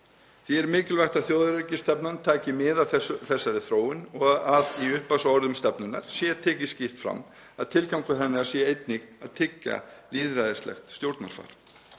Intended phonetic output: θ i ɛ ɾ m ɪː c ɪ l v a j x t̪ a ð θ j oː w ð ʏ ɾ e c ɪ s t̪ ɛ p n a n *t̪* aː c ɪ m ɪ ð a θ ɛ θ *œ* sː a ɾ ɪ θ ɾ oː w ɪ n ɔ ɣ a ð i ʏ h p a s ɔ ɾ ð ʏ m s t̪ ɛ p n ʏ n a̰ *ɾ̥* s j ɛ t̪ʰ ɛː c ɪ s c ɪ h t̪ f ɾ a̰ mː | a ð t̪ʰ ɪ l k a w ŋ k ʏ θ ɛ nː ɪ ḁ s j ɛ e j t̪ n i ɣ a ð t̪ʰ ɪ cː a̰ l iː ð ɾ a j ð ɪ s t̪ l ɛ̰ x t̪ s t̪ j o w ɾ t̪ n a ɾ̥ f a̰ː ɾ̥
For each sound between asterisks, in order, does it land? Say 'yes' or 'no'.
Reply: no, no, yes

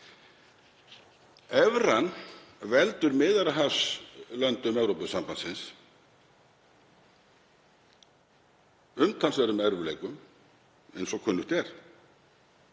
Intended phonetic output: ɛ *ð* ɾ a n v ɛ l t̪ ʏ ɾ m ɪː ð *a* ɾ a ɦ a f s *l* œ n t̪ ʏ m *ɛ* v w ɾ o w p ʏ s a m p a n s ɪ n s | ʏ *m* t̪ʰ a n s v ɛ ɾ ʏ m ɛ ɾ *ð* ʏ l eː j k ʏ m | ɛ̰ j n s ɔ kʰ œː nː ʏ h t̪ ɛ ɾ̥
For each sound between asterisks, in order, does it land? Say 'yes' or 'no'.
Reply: no, yes, yes, yes, yes, no

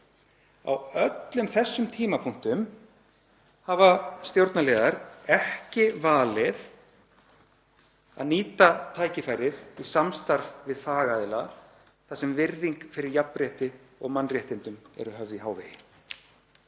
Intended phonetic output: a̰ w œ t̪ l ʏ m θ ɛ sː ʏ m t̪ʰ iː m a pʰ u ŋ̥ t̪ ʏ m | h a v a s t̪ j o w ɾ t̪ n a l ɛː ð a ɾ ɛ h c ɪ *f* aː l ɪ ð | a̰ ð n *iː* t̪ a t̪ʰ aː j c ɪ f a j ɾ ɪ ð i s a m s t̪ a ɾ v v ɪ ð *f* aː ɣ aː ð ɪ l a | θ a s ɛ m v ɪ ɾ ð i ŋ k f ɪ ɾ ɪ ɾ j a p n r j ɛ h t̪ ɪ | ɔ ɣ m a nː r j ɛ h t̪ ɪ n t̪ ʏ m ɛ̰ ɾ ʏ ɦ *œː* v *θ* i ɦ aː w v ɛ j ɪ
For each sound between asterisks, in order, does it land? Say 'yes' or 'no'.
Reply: no, yes, yes, no, no

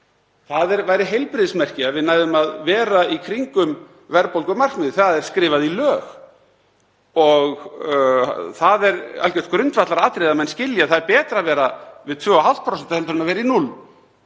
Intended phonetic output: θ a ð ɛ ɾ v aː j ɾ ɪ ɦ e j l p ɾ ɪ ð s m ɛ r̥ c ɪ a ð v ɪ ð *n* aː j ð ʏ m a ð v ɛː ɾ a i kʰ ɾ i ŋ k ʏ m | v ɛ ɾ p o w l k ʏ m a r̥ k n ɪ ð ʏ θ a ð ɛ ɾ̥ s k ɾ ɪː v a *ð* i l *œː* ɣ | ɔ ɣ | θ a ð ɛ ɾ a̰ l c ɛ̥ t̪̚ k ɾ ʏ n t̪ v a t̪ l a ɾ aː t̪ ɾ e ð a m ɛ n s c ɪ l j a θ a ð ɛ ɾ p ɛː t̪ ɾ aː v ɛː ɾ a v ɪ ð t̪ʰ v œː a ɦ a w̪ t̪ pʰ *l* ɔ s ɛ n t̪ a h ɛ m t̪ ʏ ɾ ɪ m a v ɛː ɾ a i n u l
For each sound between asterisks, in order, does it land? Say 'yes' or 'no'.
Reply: yes, yes, yes, no

